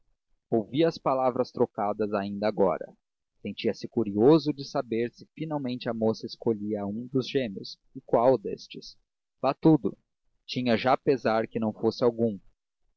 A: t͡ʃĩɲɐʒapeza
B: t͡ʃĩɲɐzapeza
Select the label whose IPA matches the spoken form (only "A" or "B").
A